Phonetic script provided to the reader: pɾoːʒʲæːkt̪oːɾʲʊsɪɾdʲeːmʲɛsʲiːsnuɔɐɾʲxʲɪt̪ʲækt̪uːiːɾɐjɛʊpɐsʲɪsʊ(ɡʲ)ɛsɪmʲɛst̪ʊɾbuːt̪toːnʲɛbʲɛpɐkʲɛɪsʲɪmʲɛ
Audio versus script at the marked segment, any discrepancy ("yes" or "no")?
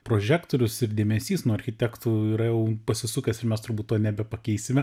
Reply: yes